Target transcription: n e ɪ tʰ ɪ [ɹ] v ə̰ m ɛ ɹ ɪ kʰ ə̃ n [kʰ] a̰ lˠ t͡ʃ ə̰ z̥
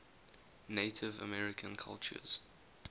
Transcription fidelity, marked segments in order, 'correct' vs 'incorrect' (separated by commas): incorrect, correct